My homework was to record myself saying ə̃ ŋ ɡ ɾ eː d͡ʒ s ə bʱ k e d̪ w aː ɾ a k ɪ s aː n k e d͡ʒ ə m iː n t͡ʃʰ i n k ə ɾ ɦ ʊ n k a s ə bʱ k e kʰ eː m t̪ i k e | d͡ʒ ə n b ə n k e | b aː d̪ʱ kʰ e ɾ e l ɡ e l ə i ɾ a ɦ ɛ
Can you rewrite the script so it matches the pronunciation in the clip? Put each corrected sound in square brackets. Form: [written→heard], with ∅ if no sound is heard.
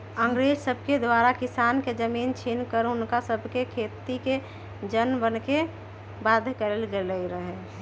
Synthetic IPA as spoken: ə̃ ŋ ɡ ɾ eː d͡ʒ s ə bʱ k e d̪ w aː ɾ a k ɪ s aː n k e d͡ʒ ə m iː n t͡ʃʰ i n k ə ɾ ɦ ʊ n k a s ə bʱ k e kʰ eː [m→∅] t̪ i k e | d͡ʒ ə n b ə n k e | b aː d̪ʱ [kʰ→k] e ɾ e l ɡ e l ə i ɾ [a→ə] ɦ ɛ